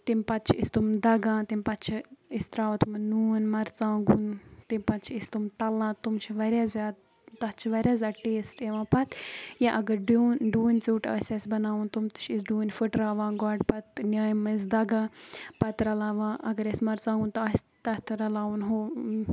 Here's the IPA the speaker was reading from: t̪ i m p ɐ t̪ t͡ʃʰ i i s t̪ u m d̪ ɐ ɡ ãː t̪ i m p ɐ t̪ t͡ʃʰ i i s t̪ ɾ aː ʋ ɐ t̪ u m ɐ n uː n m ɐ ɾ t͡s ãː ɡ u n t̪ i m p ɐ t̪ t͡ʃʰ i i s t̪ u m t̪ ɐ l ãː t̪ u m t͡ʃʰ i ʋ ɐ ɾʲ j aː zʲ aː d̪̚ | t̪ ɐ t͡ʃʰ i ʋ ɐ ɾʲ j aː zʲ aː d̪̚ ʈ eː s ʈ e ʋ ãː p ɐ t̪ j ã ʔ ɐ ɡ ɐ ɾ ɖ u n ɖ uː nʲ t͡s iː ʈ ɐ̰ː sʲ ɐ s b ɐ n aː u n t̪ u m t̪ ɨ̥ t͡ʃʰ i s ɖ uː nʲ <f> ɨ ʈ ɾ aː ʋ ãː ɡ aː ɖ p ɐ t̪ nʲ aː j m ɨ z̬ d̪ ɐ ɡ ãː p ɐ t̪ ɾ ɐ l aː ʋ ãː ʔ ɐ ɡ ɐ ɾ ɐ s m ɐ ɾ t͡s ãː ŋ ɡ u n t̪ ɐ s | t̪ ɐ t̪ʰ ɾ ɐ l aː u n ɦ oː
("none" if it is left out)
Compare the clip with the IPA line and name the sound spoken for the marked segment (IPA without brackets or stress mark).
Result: f